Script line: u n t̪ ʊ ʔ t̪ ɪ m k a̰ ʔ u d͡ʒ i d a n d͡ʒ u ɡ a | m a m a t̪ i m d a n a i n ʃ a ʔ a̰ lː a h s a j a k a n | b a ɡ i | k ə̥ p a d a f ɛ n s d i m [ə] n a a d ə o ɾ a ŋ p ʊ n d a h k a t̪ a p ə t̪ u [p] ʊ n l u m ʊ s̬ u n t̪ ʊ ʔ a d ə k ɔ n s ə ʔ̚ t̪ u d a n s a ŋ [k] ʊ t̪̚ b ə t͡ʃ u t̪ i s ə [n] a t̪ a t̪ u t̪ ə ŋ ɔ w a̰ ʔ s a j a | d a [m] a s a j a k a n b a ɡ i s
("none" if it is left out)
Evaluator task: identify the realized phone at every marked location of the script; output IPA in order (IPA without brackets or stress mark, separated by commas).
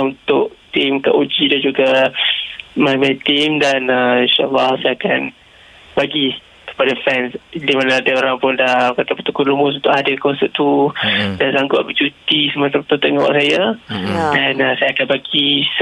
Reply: a, k, ɡ, m, n